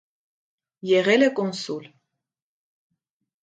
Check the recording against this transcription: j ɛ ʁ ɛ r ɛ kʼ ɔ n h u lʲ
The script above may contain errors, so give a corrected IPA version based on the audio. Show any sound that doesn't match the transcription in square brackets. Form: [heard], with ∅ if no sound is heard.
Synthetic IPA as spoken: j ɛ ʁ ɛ [l] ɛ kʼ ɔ n [s] u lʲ